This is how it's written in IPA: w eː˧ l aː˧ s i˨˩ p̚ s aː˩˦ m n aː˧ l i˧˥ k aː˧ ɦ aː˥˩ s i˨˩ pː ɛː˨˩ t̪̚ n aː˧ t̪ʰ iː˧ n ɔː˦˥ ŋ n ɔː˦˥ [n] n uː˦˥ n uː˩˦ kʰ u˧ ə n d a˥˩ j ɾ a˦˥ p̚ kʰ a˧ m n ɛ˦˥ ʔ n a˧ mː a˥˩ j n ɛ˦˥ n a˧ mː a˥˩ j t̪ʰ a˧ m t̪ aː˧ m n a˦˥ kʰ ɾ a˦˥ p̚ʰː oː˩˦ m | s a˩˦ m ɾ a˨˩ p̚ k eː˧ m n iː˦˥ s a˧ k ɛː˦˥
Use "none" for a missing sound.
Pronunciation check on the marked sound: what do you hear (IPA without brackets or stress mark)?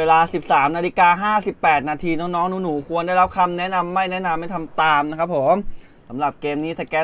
ŋ